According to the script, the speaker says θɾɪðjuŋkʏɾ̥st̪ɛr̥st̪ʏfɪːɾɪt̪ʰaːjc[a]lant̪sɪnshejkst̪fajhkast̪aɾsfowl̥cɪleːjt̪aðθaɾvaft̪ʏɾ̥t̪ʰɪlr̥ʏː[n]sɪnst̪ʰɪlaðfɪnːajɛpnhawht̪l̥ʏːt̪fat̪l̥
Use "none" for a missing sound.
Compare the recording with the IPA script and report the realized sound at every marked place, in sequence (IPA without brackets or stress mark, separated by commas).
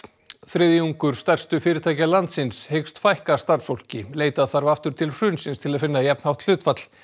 a, n